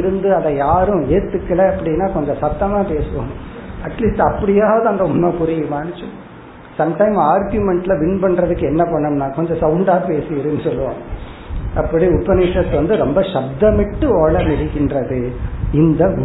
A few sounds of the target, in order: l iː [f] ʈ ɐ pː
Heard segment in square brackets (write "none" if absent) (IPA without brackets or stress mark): s